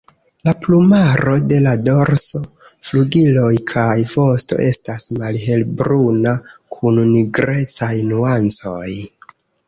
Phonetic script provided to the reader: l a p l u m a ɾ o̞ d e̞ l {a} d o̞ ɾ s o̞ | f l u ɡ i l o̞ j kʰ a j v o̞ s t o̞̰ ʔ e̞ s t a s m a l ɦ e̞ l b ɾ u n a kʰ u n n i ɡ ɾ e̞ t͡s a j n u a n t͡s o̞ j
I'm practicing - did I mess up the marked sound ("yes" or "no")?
no